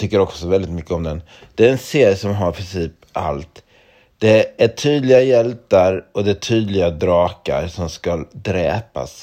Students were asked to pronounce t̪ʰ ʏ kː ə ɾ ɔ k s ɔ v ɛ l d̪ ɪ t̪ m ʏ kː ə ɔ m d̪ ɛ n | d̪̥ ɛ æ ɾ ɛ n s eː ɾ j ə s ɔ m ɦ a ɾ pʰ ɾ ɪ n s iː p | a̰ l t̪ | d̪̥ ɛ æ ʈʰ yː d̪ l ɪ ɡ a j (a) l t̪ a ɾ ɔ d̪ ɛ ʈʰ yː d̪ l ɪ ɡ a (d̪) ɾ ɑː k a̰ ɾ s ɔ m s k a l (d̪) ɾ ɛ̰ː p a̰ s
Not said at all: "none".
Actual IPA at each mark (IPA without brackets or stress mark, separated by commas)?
ɛ, d̪, d̪